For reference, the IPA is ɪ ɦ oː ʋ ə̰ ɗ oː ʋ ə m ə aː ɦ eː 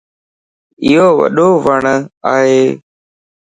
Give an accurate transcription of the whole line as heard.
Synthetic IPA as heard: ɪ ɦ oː ʋ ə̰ ɗ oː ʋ ə ɳ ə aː ɦ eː